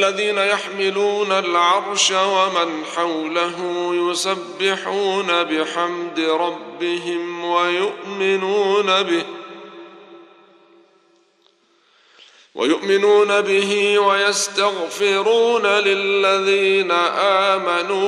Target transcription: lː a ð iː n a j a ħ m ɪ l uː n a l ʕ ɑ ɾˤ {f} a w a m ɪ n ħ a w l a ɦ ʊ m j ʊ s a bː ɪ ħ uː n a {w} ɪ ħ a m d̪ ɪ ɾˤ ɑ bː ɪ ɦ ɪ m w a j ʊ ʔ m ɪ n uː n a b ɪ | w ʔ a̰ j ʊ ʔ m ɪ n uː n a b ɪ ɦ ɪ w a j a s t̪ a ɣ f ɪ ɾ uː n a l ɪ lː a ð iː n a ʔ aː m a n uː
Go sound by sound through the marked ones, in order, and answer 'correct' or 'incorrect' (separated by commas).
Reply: incorrect, incorrect